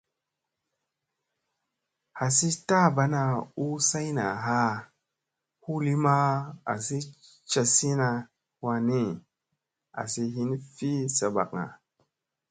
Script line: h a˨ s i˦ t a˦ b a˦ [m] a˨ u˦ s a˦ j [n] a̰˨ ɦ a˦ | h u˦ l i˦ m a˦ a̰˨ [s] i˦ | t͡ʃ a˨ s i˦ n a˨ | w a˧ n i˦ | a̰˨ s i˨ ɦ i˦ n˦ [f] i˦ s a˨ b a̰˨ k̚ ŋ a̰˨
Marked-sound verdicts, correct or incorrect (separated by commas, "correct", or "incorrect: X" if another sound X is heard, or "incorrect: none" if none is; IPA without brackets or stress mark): incorrect: n, correct, correct, correct